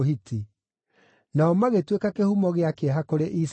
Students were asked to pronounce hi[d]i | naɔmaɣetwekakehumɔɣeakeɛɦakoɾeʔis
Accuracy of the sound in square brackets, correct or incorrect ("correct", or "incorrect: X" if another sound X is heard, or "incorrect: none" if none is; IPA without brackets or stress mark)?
incorrect: t